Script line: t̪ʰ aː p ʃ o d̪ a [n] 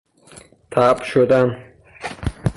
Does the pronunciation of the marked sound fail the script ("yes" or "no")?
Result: no